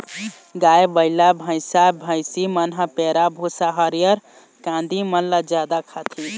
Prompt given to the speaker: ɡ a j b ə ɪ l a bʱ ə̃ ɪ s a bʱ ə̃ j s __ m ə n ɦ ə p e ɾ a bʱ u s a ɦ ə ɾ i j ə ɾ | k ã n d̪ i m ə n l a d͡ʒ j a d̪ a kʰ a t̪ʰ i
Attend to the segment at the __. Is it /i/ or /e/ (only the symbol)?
i